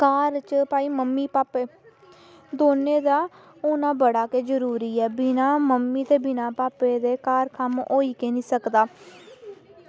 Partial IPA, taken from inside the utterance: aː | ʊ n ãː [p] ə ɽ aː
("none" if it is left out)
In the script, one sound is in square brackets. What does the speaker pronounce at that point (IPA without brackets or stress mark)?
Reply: b